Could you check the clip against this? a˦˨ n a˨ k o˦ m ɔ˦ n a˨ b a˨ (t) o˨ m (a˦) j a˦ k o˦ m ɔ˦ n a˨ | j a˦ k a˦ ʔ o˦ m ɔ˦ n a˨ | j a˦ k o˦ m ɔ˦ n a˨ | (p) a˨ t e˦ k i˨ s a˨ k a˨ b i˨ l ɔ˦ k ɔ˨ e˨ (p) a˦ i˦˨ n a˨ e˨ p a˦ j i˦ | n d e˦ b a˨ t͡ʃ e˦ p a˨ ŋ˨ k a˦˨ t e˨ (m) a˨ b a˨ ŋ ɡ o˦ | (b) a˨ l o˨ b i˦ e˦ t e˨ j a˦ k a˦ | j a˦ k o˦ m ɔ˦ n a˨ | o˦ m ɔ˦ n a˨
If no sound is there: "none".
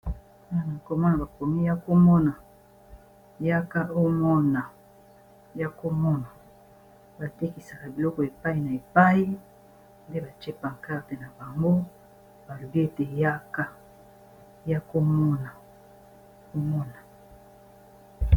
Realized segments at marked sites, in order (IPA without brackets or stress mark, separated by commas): k, i˦, b, p, n, b